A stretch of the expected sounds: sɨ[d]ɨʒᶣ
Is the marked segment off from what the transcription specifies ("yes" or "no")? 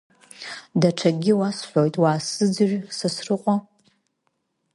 yes